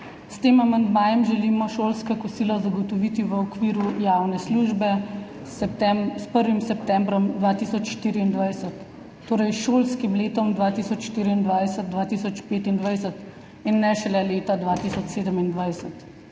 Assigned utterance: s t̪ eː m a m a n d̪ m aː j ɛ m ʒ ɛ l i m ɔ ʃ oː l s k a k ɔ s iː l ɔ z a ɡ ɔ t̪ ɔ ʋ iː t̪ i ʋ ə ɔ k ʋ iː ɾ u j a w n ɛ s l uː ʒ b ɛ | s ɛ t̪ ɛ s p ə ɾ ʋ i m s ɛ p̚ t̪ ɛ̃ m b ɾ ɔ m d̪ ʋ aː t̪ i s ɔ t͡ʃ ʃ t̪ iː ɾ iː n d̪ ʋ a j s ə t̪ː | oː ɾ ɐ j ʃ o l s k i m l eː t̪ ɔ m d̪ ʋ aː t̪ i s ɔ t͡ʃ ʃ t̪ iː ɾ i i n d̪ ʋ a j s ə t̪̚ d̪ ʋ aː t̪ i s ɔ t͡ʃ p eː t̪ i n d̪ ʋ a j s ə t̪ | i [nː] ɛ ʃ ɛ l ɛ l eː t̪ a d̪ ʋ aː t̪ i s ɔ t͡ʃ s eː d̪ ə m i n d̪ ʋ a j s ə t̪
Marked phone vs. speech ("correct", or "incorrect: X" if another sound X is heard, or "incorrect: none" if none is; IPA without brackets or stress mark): correct